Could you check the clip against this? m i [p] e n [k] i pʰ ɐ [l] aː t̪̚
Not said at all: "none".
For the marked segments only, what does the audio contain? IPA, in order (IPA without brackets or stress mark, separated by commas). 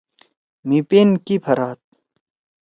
p, k, ɾ